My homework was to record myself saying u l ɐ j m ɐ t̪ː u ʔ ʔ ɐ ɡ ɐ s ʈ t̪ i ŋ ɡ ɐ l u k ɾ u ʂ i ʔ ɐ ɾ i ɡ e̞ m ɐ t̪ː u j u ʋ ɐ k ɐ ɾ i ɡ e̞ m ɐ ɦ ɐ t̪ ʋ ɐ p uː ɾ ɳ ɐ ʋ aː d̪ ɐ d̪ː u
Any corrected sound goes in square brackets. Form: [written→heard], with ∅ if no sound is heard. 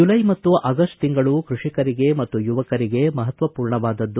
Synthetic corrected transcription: u l ɐ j m ɐ t̪ː u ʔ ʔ ɐ ɡ ɐ s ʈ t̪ i ŋ ɡ ɐ [l→ɭ] u k ɾ u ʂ i [ʔ→k] ɐ ɾ i ɡ e̞ m ɐ t̪ː u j u ʋ ɐ k ɐ ɾ i ɡ e̞ m ɐ ɦ ɐ t̪ ʋ ɐ p uː ɾ ɳ ɐ ʋ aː d̪ ɐ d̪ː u